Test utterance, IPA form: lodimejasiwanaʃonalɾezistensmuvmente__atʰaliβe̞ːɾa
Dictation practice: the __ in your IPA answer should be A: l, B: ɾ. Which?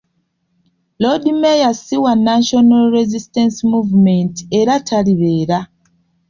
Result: B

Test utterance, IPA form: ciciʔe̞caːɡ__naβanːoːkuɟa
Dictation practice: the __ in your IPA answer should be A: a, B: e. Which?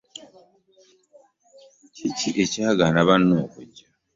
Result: A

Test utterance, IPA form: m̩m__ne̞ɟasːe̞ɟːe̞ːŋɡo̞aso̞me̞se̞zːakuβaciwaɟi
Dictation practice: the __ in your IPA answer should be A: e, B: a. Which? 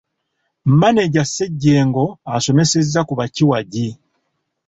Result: B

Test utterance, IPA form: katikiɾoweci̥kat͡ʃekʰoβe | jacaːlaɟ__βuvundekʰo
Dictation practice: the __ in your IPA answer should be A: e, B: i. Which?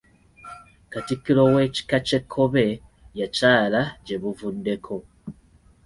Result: A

